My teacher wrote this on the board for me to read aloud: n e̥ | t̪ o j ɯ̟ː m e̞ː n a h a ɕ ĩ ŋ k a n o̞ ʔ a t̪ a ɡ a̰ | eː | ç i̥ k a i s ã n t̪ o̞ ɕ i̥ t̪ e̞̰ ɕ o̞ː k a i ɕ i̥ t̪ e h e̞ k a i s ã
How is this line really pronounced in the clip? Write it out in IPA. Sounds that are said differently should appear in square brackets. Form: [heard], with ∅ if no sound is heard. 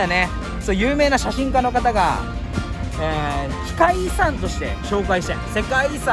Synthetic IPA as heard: n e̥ | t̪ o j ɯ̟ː m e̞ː n a [ɕ] a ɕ ĩ ŋ k a n o̞ [k] a t̪ a ɡ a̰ | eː | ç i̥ k a i s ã n t̪ o̞ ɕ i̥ t̪ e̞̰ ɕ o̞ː k a i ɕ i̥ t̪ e [s] e̞ k a i s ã